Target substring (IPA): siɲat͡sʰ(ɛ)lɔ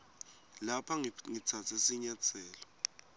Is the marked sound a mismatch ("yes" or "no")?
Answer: yes